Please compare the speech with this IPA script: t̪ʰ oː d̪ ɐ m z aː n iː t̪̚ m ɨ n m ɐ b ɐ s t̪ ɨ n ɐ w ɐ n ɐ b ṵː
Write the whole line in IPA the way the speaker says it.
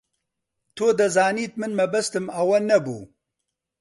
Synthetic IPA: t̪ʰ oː d̪ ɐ z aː n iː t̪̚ m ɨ n m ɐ b ɐ s t̪ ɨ m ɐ w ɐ n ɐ b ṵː

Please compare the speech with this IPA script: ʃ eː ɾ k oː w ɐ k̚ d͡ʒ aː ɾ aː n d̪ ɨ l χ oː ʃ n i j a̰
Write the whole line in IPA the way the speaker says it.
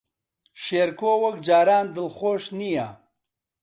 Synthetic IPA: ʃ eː ɾ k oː w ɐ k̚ d͡ʒ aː ɾ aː n d̪ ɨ l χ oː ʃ n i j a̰

